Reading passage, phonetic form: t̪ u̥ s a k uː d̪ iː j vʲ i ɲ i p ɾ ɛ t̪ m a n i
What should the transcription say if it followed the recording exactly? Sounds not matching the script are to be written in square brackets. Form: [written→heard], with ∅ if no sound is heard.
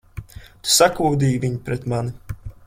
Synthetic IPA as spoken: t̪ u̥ s a k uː d̪ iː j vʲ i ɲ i p ɾ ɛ t̪ m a n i

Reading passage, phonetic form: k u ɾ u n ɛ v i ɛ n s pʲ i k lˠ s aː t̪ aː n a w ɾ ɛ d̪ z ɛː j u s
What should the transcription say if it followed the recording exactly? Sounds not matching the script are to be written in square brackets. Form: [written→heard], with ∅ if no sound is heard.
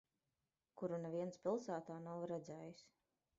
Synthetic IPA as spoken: k u ɾ u n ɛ v i ɛ n s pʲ i [k→∅] lˠ s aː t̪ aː n a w ɾ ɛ d̪ z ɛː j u s

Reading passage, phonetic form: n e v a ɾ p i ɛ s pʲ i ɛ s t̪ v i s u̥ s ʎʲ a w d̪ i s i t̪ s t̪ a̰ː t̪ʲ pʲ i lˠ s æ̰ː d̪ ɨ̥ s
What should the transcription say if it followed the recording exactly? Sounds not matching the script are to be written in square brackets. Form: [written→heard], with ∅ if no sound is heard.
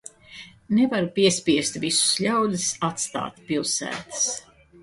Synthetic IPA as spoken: n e v a ɾ p i ɛ s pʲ i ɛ s t̪ v i s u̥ s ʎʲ a w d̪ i s [i→a] t̪ s t̪ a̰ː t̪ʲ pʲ i lˠ s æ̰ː [d̪→t̪] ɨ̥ s

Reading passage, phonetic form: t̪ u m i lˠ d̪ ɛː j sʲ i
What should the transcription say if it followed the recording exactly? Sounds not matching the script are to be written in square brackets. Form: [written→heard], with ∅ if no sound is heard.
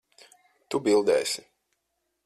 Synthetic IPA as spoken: t̪ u [m→b] i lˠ d̪ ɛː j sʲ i

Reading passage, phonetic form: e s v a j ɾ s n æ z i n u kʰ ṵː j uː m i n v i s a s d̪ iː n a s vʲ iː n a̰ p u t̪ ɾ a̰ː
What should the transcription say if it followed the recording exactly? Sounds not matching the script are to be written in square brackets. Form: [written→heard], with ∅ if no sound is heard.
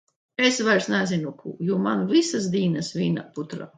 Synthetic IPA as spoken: e s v a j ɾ s n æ z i n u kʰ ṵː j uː m [i→a] n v i s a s d̪ iː n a s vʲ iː n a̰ p u t̪ ɾ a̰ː

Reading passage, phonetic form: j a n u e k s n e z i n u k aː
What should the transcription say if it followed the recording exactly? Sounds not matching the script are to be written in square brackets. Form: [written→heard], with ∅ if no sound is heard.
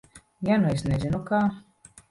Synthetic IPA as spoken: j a n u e [k→∅] s n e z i n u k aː

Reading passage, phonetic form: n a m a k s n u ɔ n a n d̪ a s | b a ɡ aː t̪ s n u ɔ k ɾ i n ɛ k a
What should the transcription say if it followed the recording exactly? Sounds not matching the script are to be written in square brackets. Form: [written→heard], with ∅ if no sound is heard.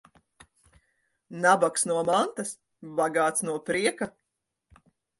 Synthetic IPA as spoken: n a [m→b] a k s n u ɔ [n→m] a n [d̪→t̪] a s | b a ɡ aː t̪ s n u ɔ [k→p] ɾ i [n→∅] ɛ k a

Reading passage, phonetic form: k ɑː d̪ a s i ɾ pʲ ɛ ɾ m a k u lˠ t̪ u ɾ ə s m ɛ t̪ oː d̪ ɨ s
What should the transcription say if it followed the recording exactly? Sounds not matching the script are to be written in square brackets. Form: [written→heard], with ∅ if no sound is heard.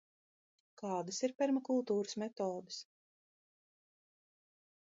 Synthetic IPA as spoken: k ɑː d̪ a s i ɾ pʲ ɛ ɾ m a k u lˠ t̪ [u→uː] ɾ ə s m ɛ t̪ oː d̪ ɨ s

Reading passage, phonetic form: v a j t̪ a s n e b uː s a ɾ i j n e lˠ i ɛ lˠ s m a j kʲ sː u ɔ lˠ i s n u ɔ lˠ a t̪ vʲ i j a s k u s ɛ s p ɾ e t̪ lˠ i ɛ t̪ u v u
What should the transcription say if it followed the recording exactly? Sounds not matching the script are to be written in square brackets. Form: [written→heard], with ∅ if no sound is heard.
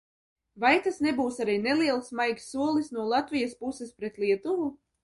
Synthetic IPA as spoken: v a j t̪ a s n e b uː s a ɾ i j n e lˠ i ɛ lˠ s m a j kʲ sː u ɔ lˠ i s n u ɔ lˠ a t̪ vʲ i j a s [k→p] u s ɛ s p ɾ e t̪ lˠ i ɛ t̪ u v u

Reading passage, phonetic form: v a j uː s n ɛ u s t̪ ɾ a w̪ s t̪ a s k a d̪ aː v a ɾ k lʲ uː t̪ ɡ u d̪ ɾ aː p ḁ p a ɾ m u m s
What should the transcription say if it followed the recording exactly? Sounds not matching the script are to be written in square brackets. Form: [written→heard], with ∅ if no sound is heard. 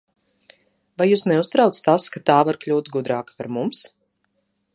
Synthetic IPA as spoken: v a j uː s n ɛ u s t̪ ɾ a w̪ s t̪ a s k a [d̪→t̪] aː v a ɾ k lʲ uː t̪ ɡ u d̪ ɾ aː [p→k] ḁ p a ɾ m u m s

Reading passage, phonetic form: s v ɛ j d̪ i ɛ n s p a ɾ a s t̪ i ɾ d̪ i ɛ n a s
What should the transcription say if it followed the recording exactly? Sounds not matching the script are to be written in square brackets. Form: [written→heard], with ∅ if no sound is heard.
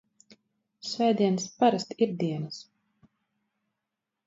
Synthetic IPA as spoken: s v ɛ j d̪ i ɛ n s p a ɾ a s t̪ i ɾ d̪ i ɛ n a s

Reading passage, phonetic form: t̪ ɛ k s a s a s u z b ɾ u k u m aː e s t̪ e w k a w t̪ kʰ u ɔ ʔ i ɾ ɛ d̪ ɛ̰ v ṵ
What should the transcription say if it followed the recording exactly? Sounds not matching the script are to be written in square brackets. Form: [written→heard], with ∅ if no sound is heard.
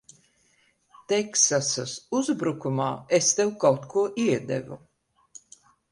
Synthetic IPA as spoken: t̪ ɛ k s a s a s u z b ɾ u k u m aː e s t̪ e w k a w t̪ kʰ u ɔ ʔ i [ɾ→∅] ɛ d̪ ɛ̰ v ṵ

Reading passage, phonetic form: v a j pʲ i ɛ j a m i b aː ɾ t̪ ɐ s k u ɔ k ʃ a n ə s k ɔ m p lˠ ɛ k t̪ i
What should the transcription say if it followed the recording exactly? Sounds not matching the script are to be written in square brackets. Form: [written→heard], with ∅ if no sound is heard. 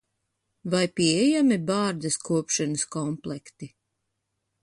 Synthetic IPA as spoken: v a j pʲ i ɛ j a m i b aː ɾ [t̪→d̪] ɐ s k u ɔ [k→p] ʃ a n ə s k ɔ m p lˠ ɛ k t̪ i

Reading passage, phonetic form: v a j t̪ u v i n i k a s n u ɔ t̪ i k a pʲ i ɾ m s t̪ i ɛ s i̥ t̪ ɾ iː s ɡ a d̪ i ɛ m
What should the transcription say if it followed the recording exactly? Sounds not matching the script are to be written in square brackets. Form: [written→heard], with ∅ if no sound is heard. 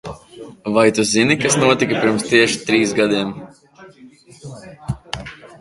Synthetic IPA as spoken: v a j t̪ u [v→z] i n i k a s n u ɔ t̪ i k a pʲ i ɾ m s t̪ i ɛ [s→ʃ] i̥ t̪ ɾ iː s ɡ a d̪ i ɛ m

